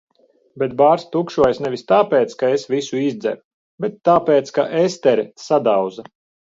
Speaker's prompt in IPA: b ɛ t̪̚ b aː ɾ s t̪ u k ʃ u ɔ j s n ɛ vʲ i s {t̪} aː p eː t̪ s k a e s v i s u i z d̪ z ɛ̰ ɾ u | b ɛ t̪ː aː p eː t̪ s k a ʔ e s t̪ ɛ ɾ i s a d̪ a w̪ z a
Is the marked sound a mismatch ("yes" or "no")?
no